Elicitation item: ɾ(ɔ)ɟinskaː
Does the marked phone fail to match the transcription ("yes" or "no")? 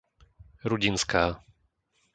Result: yes